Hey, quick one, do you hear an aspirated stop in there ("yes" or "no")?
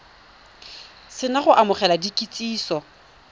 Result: no